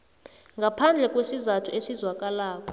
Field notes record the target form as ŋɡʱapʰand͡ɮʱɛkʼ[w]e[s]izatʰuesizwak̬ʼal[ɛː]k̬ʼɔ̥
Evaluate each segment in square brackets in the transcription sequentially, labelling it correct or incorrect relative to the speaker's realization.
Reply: correct, correct, incorrect

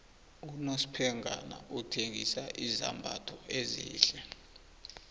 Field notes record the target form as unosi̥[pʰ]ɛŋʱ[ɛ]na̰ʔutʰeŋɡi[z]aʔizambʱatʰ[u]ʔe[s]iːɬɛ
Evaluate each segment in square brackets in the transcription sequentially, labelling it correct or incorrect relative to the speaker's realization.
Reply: correct, incorrect, incorrect, incorrect, incorrect

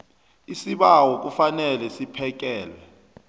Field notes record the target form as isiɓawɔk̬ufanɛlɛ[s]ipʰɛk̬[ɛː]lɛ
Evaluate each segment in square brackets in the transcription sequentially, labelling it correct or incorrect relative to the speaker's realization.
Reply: correct, correct

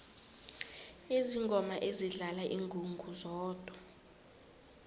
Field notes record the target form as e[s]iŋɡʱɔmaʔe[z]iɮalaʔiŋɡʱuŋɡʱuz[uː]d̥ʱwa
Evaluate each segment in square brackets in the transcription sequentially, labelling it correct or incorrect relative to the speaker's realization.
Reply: incorrect, correct, incorrect

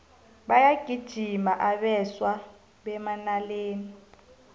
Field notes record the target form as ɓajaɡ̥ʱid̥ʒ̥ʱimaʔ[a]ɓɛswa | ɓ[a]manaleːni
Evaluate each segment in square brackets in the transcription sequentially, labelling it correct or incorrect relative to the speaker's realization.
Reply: correct, incorrect

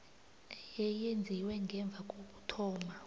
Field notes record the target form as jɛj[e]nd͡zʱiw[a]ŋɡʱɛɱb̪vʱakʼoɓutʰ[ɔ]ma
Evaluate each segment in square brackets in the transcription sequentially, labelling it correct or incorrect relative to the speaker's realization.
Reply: correct, incorrect, incorrect

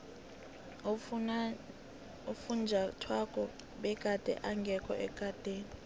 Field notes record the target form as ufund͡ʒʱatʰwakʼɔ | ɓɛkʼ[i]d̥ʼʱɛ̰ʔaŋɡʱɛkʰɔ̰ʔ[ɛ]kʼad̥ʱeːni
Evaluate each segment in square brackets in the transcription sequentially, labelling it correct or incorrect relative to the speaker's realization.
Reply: incorrect, correct

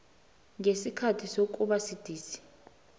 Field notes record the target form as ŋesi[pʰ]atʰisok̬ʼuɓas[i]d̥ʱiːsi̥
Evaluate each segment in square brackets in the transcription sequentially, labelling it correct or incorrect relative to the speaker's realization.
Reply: incorrect, correct

